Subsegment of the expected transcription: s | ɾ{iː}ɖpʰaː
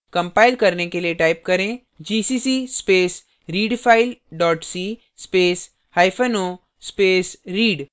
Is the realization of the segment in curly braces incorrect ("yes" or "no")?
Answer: no